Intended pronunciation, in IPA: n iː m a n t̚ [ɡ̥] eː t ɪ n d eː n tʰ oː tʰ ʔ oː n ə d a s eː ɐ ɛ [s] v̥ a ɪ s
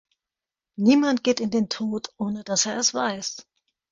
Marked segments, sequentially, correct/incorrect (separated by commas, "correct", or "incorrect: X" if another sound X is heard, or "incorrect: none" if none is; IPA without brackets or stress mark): correct, correct